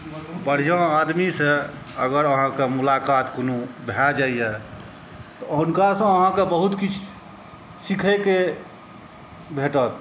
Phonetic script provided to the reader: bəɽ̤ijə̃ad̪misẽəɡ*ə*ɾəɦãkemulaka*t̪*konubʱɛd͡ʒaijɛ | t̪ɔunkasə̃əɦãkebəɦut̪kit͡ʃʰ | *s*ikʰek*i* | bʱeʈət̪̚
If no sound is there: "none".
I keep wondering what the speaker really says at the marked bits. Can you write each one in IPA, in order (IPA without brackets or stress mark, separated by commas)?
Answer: ə, t̪, s, e